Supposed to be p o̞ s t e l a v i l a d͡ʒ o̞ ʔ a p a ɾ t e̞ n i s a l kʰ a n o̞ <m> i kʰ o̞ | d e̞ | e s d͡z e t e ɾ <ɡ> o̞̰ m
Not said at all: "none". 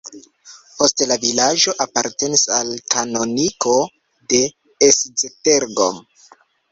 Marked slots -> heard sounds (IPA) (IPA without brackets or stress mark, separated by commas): n, ɡ